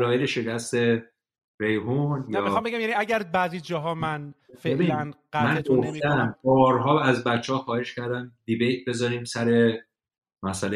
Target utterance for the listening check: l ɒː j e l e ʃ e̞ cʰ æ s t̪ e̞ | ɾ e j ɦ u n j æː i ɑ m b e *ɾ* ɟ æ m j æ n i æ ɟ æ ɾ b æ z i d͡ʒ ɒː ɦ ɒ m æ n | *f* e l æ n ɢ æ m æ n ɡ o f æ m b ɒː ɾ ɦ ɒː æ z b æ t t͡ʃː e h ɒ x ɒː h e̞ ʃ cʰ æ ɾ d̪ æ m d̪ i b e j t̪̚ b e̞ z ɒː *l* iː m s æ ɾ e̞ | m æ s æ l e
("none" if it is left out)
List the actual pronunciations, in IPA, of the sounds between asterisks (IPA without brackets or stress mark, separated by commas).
none, f, ɾ